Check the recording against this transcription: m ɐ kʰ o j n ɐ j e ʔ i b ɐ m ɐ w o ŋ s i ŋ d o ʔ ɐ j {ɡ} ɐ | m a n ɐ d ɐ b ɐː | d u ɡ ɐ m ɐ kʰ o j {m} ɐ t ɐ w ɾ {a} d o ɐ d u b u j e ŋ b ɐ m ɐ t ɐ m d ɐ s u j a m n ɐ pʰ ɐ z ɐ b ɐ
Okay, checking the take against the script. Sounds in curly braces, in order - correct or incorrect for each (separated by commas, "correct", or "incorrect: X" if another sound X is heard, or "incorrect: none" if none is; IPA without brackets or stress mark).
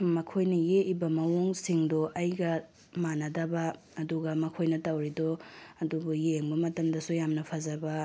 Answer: correct, incorrect: n, incorrect: i